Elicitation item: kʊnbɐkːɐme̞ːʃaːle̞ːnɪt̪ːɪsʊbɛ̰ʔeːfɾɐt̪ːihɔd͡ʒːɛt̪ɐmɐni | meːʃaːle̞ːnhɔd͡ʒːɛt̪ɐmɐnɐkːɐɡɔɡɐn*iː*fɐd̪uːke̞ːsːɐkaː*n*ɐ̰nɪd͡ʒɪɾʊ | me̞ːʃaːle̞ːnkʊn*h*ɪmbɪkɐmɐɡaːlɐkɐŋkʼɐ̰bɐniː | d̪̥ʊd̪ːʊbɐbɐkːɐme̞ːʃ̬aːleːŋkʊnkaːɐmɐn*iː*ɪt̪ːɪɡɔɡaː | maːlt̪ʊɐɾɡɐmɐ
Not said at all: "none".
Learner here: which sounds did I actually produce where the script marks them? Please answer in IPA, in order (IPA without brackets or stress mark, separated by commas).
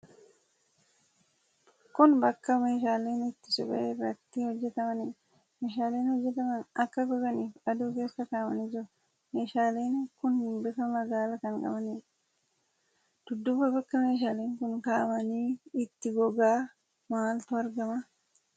iː, m, h, iː